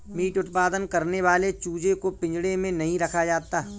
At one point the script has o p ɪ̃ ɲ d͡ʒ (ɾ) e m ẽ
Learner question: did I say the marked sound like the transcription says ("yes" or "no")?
no